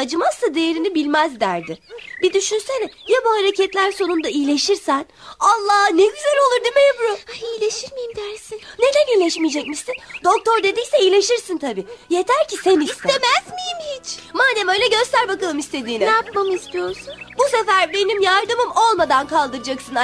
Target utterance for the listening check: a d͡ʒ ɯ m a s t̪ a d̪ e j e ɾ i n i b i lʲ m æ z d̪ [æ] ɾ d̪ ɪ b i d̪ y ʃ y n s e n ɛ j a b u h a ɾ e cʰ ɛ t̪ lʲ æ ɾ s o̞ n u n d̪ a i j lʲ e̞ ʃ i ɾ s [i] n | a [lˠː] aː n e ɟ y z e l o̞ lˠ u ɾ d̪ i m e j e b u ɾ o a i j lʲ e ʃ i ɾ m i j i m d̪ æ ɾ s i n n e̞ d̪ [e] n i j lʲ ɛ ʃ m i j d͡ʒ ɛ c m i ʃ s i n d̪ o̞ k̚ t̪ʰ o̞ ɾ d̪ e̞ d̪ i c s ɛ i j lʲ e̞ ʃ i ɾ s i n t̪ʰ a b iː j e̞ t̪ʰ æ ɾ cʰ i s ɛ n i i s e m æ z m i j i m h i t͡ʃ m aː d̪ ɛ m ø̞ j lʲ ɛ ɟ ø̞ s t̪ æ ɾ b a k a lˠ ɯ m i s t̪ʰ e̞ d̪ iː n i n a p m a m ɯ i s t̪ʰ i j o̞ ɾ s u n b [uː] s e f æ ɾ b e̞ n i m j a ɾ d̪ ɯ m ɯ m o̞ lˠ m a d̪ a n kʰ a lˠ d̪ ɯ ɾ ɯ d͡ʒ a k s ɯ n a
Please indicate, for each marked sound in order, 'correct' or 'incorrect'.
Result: correct, incorrect, correct, incorrect, incorrect

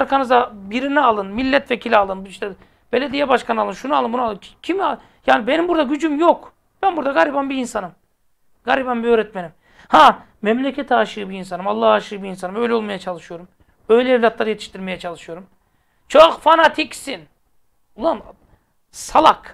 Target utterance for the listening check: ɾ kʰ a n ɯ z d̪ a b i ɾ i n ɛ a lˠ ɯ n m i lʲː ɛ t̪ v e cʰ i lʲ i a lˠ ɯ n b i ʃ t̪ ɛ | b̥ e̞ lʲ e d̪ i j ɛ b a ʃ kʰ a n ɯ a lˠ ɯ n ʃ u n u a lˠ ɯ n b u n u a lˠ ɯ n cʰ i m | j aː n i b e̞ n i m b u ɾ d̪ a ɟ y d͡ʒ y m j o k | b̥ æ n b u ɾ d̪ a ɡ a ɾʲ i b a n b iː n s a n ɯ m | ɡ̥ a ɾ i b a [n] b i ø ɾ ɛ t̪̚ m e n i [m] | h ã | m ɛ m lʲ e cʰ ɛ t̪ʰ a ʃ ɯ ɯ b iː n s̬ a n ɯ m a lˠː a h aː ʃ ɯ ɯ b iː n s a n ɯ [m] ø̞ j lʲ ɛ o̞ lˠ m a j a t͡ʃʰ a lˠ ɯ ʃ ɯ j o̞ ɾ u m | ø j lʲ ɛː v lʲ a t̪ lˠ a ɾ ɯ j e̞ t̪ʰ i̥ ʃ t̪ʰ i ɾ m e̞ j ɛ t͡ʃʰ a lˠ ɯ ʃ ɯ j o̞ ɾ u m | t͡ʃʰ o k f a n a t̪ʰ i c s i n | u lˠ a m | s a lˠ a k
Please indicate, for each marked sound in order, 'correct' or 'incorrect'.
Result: correct, correct, correct

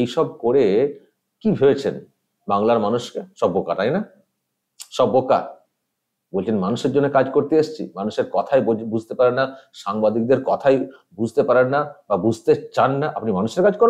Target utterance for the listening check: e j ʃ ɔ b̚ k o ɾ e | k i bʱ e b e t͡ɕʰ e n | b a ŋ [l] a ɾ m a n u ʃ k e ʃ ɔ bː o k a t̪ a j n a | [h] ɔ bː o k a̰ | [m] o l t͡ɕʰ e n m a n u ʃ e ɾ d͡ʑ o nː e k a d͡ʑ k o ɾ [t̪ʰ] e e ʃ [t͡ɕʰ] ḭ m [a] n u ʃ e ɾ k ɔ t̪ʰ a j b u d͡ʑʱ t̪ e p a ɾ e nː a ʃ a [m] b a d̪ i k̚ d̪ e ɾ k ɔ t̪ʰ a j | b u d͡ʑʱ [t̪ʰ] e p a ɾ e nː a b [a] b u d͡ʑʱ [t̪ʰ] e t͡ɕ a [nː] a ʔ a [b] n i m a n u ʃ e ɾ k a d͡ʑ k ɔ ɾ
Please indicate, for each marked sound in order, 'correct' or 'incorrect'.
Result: correct, incorrect, incorrect, incorrect, correct, correct, incorrect, incorrect, correct, incorrect, correct, incorrect

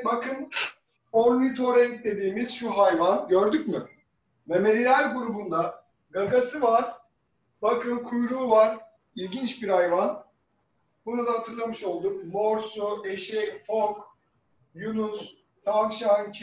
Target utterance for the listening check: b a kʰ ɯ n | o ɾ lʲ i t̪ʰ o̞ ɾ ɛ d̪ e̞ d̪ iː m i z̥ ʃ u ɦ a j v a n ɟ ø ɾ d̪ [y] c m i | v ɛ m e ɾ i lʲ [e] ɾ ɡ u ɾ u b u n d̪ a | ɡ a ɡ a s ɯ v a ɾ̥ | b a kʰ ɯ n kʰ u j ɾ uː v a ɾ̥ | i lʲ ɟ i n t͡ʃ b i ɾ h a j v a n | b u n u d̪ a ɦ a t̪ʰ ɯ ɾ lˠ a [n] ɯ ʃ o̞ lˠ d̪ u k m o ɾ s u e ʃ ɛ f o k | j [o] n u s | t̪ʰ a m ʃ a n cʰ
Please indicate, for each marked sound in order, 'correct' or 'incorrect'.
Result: correct, incorrect, incorrect, incorrect

